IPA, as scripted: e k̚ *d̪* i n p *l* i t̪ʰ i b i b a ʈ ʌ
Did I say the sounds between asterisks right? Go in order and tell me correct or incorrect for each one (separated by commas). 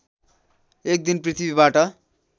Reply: correct, incorrect